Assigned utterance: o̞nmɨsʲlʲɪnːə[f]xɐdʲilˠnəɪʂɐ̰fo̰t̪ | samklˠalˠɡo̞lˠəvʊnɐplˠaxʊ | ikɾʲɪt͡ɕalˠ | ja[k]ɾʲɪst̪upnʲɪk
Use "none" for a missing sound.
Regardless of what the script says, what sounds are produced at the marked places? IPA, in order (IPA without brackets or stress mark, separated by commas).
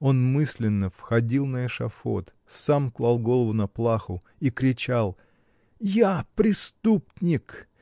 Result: f, p